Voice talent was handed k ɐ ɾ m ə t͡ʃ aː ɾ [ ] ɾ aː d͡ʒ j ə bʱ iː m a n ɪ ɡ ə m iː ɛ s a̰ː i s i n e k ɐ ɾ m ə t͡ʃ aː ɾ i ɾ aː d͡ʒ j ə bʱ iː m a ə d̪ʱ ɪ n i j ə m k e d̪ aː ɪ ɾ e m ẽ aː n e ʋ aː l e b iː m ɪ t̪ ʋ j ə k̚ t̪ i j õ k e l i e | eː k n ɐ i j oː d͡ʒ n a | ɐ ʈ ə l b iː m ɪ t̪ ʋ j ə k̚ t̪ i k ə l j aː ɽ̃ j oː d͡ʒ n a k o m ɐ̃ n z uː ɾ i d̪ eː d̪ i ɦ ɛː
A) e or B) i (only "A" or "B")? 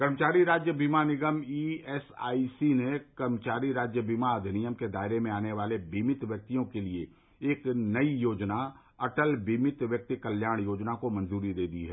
B